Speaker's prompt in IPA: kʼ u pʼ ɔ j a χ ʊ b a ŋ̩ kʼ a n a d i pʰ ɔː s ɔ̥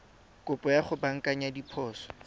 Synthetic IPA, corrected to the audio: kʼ ʊ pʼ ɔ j a χ ʊ b a ŋ̩ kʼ a ɲ a d i pʰ ɔː s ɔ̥

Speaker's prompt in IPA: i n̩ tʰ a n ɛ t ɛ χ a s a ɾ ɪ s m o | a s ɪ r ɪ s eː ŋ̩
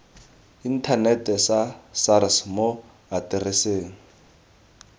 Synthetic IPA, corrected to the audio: i n̩ tʰ a n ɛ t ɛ s a s a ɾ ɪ s m o | a t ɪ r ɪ s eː ŋ̩

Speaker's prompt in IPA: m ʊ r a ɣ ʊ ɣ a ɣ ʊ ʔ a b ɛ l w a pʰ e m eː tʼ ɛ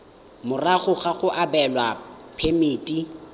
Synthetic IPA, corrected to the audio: m ʊ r a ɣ ʊ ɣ a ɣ ʊ ʔ a b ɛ l w a pʰ e m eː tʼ i

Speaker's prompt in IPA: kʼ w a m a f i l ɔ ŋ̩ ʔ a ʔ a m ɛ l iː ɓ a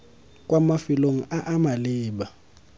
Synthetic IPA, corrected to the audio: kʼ w a m a f i l o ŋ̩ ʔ a ʔ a m a l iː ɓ a

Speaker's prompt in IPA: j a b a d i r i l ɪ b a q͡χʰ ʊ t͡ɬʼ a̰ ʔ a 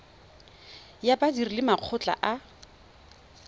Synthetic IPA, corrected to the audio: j a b a d i r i l ɪ m a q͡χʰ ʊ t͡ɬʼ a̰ ʔ a

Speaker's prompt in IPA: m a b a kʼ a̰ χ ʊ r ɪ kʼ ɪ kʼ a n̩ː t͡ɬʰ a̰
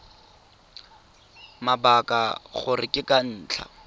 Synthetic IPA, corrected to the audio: m a b a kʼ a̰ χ ʊ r ɪ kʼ ɪ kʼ a n̩ː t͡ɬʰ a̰

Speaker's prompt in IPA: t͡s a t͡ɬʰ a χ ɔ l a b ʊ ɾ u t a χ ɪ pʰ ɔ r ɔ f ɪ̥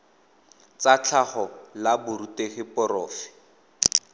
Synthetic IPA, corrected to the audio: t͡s a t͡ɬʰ a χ ɔ l a b ʊ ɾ u t e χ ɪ p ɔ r ɔː f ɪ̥

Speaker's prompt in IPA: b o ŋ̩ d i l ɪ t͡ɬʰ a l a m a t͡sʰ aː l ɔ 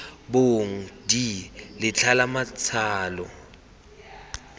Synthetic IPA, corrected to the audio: b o ŋ̩ d i l ɪ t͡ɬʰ a l a m a t͡sʰ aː l ɔ

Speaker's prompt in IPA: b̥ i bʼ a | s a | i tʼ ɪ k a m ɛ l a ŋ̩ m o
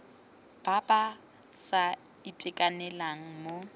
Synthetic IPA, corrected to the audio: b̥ a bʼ a | s a | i tʼ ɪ kʼ a n ɛ l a ŋ̩ m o

